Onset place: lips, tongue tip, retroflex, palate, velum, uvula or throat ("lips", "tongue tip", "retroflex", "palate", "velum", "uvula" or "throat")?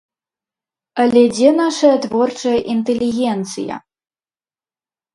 tongue tip